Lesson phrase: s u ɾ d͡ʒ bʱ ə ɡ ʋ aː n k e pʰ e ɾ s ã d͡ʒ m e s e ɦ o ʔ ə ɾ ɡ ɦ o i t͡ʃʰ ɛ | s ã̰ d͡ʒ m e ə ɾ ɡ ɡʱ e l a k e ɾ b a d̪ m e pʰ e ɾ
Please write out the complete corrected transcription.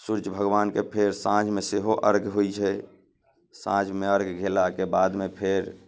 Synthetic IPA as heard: s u ɾ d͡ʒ bʱ ə ɡ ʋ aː n k e pʰ e ɾ s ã d͡ʒ m e s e ɦ o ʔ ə ɾ ɡ ɦ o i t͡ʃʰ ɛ | s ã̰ d͡ʒ m e ə ɾ ɡ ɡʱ e l a k e b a d̪ m e pʰ e ɾ